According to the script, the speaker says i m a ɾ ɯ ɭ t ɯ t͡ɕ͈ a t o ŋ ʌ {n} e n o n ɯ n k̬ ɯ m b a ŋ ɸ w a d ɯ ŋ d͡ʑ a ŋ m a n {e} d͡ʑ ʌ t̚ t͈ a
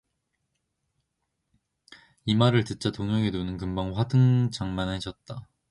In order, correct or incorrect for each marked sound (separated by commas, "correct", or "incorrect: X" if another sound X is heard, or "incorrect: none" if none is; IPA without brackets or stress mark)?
incorrect: ŋ, correct